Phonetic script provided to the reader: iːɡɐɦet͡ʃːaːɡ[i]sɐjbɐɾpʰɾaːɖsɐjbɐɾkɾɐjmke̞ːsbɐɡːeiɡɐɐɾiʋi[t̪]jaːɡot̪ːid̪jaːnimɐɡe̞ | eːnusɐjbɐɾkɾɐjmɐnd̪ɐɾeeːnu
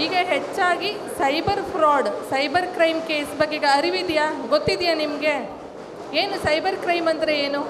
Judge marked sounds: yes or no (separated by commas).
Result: yes, no